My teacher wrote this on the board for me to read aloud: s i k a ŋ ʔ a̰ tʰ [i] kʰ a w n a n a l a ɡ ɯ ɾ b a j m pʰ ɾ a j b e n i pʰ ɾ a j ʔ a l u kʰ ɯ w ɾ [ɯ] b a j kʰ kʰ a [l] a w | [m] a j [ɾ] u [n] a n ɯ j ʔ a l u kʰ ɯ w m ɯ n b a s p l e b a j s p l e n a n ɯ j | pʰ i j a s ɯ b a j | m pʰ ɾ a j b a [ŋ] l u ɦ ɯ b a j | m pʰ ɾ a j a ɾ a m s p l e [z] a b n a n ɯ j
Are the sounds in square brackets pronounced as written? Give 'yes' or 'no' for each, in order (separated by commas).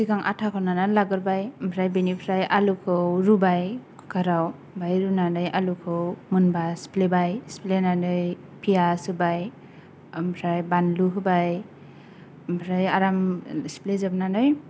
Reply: no, no, no, no, yes, yes, no, yes